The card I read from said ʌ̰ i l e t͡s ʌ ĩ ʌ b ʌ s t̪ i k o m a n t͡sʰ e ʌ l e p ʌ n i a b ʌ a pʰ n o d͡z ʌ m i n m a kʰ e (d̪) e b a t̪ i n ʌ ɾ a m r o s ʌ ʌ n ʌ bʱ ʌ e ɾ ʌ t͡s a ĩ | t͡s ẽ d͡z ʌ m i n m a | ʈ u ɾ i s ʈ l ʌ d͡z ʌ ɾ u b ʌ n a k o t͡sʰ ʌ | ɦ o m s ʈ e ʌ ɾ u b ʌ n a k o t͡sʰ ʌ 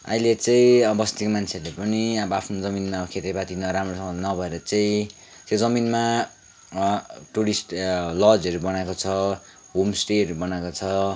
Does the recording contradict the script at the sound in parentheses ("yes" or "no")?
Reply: yes